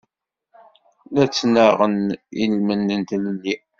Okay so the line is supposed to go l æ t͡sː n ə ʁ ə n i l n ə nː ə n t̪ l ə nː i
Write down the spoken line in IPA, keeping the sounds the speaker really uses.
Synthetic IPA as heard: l æ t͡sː n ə ʁ ə n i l m ə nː ə n t̪ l ə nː i